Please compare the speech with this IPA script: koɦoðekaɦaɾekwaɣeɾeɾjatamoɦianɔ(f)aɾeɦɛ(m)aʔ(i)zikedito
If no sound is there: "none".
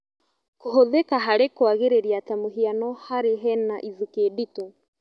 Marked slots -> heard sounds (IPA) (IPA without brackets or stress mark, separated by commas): h, n, i